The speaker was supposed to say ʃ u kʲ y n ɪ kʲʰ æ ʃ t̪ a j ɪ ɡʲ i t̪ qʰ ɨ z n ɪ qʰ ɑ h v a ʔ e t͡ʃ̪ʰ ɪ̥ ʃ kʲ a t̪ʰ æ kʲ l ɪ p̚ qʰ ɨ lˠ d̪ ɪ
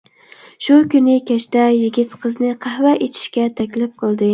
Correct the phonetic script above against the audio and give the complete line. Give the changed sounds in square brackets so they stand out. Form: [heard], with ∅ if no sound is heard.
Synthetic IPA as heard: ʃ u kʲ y n ɪ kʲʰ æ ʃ t̪ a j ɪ ɡʲ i t̪ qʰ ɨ z n ɪ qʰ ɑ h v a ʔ e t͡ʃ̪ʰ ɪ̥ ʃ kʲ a t̪ʰ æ kʲ l ɪ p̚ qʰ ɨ lˠ d̪ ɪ